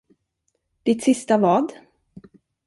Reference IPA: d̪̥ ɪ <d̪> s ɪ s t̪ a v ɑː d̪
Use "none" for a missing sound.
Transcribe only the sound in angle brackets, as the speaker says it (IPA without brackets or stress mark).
t̪